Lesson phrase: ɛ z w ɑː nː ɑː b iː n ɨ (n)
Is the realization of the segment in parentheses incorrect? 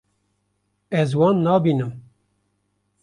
yes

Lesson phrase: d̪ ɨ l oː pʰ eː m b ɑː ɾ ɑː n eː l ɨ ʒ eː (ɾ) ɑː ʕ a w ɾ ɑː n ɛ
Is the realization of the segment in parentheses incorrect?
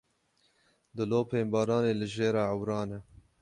no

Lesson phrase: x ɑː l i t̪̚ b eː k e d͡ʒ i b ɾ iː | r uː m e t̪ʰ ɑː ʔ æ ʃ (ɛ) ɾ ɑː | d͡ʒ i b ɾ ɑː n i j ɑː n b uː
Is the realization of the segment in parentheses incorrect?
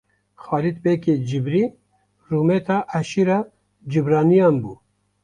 yes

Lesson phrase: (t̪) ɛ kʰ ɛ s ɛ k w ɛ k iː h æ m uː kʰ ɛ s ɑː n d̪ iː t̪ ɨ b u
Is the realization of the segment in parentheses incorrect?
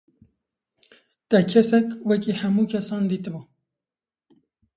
no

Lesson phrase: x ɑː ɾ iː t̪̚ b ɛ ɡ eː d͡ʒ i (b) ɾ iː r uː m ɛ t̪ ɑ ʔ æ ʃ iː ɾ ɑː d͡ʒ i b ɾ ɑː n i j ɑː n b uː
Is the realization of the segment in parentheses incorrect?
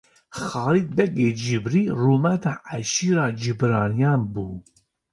no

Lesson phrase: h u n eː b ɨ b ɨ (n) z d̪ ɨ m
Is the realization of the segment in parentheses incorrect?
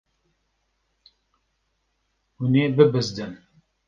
yes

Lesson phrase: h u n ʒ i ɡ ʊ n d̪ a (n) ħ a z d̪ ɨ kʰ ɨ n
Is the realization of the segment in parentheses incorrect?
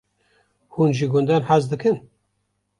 no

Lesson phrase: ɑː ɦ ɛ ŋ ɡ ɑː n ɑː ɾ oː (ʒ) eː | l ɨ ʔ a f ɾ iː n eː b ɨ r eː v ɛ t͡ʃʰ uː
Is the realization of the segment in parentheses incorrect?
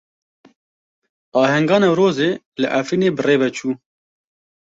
yes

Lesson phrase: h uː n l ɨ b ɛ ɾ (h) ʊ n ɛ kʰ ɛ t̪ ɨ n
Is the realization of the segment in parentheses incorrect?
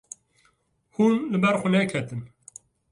yes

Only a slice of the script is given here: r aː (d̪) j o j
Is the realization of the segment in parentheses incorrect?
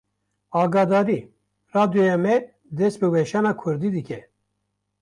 no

